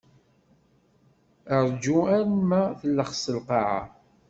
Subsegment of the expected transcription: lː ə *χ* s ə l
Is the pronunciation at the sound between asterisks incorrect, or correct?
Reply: correct